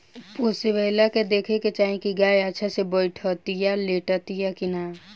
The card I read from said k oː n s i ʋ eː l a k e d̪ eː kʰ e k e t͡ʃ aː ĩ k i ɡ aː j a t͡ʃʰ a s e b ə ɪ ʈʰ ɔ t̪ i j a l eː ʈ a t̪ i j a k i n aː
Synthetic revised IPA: p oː s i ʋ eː l a k e d̪ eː kʰ e k e t͡ʃ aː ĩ k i ɡ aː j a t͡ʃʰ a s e b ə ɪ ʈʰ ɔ t̪ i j a l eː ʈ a t̪ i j a k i n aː

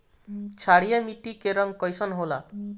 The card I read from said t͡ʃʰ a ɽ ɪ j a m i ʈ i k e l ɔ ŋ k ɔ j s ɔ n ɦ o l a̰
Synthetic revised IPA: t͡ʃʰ a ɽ i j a m i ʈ i k e ɾ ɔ ŋ k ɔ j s ɔ n ɦ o l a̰

